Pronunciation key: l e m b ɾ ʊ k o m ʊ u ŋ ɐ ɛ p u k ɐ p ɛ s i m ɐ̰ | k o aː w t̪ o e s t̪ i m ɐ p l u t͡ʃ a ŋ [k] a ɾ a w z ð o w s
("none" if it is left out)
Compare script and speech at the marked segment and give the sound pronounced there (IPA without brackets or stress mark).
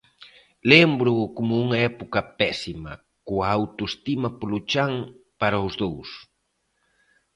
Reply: p